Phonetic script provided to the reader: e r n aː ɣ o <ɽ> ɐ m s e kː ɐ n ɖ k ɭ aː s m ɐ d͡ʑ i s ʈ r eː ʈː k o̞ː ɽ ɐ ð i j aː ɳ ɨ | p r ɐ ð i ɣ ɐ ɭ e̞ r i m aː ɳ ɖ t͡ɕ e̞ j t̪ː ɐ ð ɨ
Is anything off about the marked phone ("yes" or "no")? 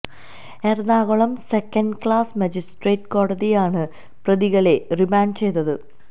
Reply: yes